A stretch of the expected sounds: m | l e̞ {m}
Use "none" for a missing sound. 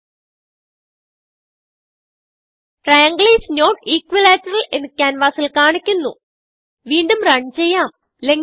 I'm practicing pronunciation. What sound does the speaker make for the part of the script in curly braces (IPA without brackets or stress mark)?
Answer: ŋ